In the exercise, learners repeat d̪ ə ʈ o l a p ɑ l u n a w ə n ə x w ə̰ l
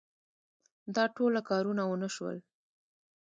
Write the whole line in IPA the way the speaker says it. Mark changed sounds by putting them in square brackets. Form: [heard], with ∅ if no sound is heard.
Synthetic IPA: d̪ [ɑ] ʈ o l a [k] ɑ [ɾ] u n a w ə n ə [ʃ] w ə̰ l

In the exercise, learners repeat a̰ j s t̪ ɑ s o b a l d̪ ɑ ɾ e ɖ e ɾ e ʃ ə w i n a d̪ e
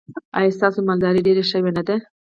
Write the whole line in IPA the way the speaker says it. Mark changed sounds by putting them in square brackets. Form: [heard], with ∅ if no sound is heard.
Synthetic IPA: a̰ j s t̪ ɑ s o [m] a l d̪ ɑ ɾ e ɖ e ɾ e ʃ ə w [e] n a d̪ e

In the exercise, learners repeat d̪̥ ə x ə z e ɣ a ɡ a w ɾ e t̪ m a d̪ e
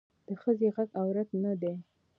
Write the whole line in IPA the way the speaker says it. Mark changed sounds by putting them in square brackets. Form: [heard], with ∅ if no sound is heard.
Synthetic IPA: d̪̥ ə x ə z e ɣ a ɡ a w ɾ [a] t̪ [n] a d̪ e

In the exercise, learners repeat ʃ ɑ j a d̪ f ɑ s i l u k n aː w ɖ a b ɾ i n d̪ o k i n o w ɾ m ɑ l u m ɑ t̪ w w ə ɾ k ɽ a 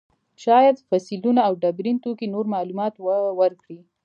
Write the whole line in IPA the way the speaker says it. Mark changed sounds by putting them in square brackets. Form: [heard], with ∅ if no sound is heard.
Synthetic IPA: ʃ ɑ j a d̪ f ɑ s i l u [∅] n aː w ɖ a b ɾ i n [t̪] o k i n o [∅] ɾ m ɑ l u m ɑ t̪ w w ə ɾ k ɽ [i]

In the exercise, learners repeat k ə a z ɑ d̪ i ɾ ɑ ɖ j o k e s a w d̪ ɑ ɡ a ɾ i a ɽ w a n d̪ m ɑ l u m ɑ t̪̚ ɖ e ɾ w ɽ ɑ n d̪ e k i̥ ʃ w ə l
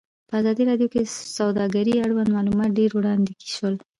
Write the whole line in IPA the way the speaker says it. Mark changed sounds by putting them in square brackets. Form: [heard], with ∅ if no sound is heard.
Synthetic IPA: [p] ə a z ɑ d̪ i ɾ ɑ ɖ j o k e s a w d̪ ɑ ɡ a ɾ i a ɽ w a n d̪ m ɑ l u m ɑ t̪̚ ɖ e ɾ w ɽ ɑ n d̪ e k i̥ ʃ w ə l

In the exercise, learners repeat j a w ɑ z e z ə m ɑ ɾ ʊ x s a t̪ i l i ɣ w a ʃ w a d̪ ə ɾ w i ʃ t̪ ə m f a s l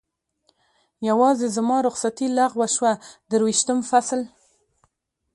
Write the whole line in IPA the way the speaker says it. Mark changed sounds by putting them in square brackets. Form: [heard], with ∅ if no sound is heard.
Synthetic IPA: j a w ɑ z e z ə m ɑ ɾ ʊ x s a t̪ i l [a] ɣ w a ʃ w a d̪ ə ɾ w i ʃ t̪ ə m f a s l

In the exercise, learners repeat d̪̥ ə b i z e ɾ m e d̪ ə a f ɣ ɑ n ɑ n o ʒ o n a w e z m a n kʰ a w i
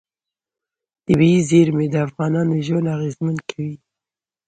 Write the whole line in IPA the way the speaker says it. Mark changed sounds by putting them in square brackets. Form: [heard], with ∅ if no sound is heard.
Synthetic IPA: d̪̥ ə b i z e ɾ m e d̪ ə a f ɣ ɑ n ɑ n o ʒ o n a [ɣ] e z m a n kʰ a w i

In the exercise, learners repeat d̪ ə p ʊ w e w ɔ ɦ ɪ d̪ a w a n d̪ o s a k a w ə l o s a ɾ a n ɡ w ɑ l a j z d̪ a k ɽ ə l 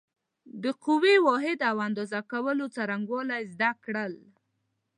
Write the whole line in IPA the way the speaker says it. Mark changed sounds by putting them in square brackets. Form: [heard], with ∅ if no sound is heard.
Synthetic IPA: d̪ ə [q] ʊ w e w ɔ ɦ ɪ d̪ a w a n d̪ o [z] a k a w ə l o [t͡s] a ɾ a [ŋ] ɡ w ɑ l a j z d̪ a k ɽ ə l

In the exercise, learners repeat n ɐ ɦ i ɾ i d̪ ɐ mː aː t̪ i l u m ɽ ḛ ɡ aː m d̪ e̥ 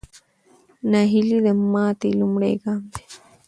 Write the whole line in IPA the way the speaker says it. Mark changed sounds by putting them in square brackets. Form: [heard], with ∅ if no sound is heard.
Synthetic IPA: n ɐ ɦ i [l] i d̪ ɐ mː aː t̪ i l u m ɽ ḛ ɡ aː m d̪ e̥

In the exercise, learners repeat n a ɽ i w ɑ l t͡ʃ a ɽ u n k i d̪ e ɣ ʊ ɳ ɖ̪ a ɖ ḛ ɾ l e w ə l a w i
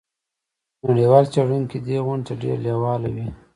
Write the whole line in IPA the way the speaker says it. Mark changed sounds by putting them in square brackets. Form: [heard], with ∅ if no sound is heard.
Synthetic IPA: n a ɽ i w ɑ l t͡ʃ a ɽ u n k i d̪ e ɣ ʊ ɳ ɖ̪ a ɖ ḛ ɾ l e w [ɑ] l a w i

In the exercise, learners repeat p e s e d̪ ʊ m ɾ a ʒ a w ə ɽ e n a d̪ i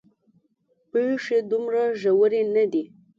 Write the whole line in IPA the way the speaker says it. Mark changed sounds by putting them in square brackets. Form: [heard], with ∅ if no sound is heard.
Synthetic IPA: p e [ʂ] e d̪ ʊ m ɾ a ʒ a w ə [ɾ] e n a d̪ i

